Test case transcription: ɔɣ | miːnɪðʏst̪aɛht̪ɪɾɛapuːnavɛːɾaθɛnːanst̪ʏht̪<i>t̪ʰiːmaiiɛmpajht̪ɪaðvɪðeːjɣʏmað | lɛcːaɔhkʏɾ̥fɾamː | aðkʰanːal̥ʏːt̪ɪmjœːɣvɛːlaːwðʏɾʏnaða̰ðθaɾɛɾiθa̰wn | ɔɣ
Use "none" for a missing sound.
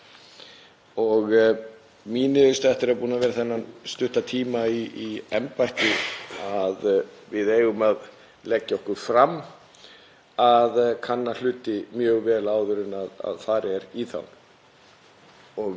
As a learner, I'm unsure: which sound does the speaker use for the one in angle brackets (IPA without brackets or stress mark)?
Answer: a